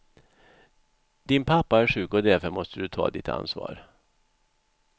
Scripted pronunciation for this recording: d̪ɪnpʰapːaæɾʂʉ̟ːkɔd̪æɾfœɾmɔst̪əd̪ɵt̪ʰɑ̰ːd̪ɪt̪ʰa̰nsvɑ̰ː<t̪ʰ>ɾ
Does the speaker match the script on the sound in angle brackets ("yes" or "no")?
no